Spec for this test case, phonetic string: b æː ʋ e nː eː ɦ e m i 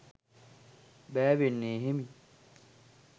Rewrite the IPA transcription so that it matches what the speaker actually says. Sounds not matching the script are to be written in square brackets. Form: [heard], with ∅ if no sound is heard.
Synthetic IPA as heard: b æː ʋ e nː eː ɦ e m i